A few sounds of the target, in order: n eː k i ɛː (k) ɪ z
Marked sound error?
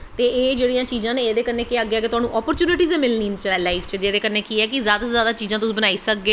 no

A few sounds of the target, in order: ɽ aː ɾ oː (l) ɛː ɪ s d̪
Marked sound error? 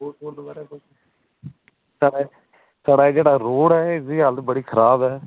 yes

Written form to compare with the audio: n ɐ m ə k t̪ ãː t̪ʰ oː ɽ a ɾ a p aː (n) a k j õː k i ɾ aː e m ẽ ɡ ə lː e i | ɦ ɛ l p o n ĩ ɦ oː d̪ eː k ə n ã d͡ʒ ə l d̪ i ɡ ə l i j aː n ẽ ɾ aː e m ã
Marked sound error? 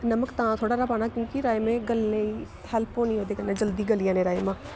no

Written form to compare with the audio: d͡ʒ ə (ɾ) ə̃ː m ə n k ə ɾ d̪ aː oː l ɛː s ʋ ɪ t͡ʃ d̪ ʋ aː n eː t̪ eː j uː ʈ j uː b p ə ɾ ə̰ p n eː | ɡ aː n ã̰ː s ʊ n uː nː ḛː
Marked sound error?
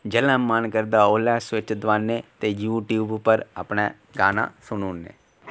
yes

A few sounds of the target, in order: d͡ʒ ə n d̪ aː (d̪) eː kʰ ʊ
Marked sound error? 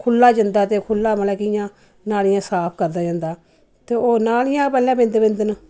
yes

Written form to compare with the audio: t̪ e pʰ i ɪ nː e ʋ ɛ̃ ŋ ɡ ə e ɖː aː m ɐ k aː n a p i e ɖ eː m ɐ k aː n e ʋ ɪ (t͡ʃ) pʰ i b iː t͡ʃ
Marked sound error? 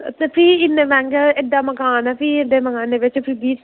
no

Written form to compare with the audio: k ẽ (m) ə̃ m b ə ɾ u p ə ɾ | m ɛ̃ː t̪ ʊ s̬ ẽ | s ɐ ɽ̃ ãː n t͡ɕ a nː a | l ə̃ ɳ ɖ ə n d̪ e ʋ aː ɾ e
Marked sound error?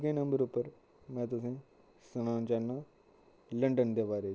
yes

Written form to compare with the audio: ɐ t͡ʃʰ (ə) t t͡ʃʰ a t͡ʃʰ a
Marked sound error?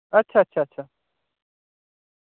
yes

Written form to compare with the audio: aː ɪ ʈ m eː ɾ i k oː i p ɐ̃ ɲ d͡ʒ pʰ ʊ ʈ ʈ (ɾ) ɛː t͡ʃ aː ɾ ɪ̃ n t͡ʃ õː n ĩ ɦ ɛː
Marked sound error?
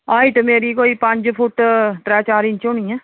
no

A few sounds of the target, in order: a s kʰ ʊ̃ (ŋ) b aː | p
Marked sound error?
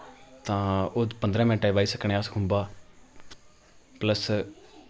yes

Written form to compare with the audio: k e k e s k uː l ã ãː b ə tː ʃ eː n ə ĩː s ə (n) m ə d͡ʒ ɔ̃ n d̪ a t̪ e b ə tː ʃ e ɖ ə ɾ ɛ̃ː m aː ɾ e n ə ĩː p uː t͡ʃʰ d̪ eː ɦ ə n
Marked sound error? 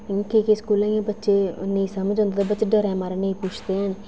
yes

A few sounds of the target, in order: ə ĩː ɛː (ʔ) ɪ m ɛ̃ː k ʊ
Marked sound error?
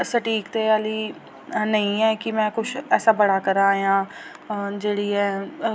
yes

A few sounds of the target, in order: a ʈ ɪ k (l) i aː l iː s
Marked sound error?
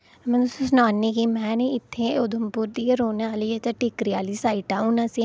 yes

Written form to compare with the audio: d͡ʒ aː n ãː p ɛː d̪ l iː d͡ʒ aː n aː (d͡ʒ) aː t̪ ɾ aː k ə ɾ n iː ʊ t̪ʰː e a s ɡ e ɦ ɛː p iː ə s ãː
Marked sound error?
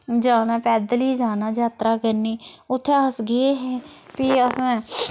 no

